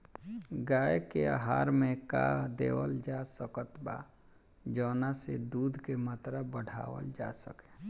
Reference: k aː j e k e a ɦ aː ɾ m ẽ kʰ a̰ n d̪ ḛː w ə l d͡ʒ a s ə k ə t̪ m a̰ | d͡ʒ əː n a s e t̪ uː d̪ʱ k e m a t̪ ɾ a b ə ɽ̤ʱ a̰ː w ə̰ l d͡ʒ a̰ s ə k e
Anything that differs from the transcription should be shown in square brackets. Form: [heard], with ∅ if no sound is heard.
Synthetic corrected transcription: [ɡ] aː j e k e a ɦ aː ɾ m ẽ [k] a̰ [∅] d̪ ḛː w ə l d͡ʒ a s ə k ə t̪ [b] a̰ | d͡ʒ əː n a s e [d̪] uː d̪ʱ k e m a t̪ ɾ a b ə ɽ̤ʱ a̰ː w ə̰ l d͡ʒ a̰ s ə k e